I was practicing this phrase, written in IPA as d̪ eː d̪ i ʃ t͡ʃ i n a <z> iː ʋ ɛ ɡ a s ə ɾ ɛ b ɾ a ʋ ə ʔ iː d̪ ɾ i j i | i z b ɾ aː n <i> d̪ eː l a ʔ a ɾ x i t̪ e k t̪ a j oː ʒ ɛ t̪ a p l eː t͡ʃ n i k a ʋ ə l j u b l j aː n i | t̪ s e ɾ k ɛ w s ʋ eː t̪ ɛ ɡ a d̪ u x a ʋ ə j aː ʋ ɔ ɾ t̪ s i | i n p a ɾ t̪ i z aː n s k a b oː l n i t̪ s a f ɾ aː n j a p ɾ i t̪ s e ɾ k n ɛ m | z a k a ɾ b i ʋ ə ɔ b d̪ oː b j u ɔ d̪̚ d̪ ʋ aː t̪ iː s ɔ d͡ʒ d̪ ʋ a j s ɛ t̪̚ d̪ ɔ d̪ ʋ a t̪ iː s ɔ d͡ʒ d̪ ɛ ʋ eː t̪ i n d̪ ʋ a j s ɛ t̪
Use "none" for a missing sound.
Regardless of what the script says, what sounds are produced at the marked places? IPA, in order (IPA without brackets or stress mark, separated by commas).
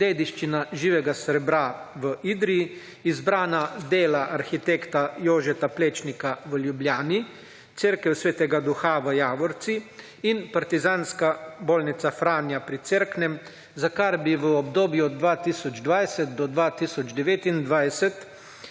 ʒ, a